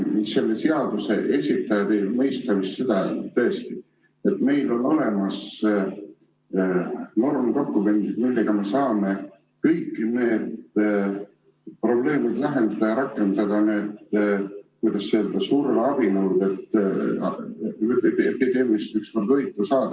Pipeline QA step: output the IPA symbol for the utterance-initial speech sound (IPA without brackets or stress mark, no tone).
s